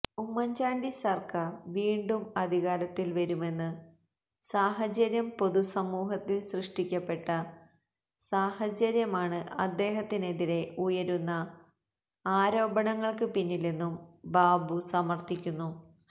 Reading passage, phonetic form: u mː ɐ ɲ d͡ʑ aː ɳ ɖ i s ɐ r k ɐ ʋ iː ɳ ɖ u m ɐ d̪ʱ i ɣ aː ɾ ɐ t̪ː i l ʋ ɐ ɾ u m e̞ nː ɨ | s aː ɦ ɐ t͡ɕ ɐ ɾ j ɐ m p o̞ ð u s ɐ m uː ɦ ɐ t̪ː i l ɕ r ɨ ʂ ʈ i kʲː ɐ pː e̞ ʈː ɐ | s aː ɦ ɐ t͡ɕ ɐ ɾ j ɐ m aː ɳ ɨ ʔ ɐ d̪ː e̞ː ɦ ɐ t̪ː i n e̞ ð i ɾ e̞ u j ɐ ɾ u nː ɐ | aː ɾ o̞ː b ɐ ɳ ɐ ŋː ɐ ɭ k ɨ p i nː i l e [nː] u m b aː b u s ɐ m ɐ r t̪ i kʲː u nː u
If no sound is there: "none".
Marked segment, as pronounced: nː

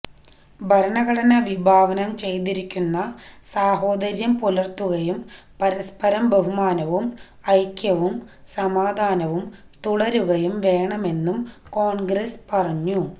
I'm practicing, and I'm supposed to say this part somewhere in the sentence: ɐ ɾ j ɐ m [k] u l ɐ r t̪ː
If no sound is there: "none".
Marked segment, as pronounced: p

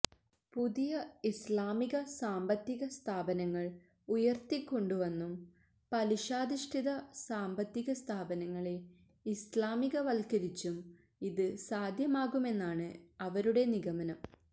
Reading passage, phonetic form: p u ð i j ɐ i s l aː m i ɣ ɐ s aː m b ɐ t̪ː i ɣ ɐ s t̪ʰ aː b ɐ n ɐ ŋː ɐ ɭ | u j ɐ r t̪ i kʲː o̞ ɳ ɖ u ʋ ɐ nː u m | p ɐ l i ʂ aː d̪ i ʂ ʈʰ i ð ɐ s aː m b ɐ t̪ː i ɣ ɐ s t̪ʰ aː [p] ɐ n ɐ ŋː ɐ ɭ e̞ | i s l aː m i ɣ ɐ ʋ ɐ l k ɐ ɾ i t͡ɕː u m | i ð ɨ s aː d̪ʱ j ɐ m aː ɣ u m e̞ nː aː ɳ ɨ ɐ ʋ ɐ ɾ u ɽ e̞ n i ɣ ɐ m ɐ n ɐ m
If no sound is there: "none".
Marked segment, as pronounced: b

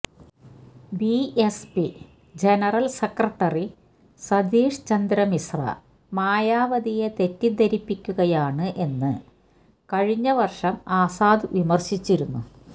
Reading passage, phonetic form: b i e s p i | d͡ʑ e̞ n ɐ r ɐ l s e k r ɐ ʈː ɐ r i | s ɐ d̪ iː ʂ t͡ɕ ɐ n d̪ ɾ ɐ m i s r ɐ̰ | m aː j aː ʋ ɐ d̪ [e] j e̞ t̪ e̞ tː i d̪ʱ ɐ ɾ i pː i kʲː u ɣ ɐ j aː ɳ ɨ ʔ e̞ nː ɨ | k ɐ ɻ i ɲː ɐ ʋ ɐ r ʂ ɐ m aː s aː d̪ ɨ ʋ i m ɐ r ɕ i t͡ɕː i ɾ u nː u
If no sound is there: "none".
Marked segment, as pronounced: i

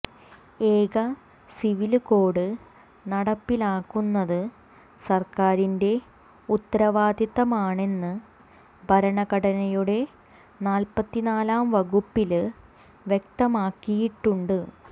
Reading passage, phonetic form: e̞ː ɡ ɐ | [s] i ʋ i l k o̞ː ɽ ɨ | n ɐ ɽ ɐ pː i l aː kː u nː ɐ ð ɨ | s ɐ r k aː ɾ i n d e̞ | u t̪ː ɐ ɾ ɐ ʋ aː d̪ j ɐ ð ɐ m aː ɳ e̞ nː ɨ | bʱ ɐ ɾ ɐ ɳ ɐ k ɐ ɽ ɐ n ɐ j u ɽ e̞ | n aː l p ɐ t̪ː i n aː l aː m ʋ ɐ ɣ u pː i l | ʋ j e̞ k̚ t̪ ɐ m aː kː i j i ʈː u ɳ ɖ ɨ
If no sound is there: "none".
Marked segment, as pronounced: s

